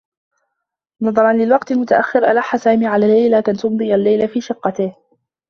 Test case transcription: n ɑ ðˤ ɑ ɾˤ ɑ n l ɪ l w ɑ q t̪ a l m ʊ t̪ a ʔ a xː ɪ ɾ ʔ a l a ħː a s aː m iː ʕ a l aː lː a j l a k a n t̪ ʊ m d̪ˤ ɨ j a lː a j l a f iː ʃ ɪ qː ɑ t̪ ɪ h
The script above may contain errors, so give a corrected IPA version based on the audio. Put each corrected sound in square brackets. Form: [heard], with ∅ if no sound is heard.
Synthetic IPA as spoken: n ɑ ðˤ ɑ ɾˤ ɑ n l ɪ l w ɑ q t̪ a l m ʊ t̪ a ʔ a xː ɪ ɾ ʔ a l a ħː a s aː m iː ʕ a l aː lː a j l a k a n t̪ ʊ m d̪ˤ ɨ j a lː a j l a f iː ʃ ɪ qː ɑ t̪ ɪ h